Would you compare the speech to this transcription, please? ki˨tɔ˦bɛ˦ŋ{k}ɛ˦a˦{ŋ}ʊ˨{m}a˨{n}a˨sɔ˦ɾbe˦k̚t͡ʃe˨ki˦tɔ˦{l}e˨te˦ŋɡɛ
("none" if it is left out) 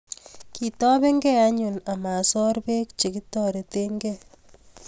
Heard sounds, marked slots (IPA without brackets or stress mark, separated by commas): ɡ, ɲ, n, m, ɾ